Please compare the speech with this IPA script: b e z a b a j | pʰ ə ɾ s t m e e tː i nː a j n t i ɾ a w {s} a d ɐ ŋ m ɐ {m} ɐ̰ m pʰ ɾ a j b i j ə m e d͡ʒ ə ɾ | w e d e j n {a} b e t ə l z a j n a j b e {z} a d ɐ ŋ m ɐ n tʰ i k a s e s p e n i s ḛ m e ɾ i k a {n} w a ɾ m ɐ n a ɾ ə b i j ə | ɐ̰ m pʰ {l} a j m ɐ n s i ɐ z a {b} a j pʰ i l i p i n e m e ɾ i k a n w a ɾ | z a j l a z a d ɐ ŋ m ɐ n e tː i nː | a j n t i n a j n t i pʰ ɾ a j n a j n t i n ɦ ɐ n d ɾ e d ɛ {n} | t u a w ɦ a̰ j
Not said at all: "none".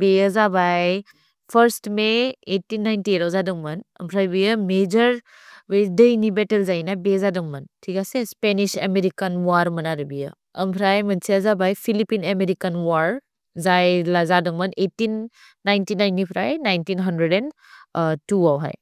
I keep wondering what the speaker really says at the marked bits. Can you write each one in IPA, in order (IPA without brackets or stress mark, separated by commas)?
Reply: z, n, i, z, n, ɾ, b, n